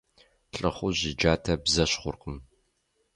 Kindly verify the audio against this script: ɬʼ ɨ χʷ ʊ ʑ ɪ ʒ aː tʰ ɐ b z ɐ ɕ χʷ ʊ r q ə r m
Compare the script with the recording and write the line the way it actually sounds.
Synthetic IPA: ɬʼ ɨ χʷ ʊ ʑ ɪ d͡ʒ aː tʰ ɐ b z ɐ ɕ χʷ ʊ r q ə m